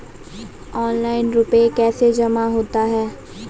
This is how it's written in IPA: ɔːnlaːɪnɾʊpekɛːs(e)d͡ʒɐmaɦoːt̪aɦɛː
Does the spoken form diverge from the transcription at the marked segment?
no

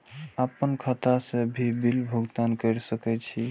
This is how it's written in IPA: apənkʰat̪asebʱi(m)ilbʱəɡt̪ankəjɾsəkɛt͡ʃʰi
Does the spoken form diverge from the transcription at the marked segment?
yes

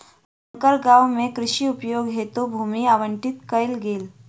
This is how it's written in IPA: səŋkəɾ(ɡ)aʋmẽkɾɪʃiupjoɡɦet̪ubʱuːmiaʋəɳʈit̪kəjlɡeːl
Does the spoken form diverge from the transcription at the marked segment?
no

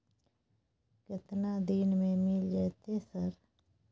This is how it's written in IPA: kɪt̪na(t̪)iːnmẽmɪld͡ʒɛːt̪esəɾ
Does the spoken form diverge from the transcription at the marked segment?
yes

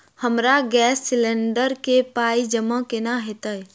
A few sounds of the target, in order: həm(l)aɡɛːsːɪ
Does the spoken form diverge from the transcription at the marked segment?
yes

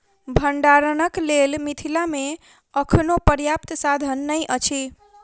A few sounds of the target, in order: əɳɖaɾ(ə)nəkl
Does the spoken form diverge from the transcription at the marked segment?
no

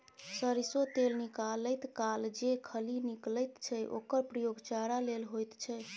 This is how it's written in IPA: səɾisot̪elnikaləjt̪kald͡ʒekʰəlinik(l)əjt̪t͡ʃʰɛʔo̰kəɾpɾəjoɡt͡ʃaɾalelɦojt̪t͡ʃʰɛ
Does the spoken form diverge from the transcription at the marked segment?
no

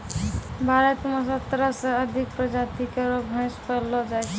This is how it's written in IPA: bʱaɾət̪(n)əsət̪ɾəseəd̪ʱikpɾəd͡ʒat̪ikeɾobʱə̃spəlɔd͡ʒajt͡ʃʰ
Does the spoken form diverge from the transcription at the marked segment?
yes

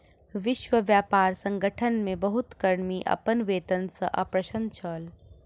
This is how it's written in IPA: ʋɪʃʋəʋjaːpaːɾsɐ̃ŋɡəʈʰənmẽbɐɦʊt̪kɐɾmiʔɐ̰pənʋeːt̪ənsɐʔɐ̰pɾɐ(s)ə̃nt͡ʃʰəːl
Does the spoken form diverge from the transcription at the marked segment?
yes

